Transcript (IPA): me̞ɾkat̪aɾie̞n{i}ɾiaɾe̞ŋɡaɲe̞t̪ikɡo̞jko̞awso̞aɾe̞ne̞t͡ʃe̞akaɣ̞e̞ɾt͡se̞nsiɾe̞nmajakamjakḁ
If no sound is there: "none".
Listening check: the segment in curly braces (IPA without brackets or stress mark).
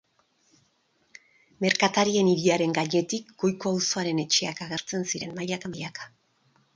i